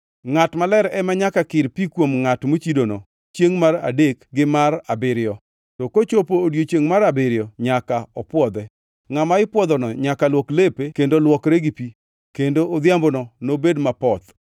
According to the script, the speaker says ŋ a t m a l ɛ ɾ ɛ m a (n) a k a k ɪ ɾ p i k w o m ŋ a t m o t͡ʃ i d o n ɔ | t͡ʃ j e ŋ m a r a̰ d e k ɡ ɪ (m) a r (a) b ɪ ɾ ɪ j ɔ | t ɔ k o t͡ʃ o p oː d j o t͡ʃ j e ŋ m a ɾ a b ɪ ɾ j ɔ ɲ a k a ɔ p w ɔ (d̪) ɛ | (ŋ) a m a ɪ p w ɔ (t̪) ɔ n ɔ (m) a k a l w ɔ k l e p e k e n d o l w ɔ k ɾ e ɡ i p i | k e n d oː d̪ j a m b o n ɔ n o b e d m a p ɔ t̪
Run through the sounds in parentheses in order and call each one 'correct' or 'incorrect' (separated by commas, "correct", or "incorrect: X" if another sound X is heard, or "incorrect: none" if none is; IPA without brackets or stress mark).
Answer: incorrect: ɲ, correct, correct, correct, correct, incorrect: d̪, incorrect: ɲ